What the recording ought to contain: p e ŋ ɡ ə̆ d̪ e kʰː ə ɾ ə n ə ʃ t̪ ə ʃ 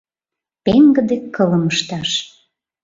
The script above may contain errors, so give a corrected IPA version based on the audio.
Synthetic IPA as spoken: p e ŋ ɡ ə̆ d̪ e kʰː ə l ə m ə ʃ t̪ ɑ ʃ